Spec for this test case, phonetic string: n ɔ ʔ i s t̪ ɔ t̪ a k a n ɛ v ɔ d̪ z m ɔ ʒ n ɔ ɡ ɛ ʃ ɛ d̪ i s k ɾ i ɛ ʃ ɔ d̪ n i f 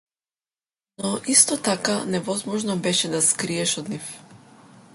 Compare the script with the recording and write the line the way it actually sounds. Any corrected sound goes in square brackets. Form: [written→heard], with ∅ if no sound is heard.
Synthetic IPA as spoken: n ɔ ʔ i s t̪ ɔ t̪ a k a n ɛ v ɔ [d̪→∅] z m ɔ ʒ n ɔ [ɡ→b] ɛ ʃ ɛ d̪ [i→a] s k ɾ i ɛ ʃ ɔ d̪ n i f